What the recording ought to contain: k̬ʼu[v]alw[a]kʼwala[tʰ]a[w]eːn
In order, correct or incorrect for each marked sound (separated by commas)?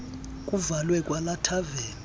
correct, incorrect, correct, incorrect